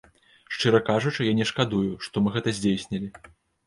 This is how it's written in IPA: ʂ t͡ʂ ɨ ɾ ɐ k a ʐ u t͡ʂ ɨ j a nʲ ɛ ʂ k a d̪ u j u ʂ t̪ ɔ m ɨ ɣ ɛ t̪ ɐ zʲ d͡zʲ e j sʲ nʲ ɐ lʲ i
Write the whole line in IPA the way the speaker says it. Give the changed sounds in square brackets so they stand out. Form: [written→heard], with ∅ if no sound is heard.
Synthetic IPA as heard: ʂ t͡ʂ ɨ ɾ ɐ k a ʐ u t͡ʂ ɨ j a nʲ ɛ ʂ k a d̪ u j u ʂ t̪ ɔ m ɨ ɣ ɛ t̪ ɐ zʲ d͡zʲ e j sʲ nʲ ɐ lʲ i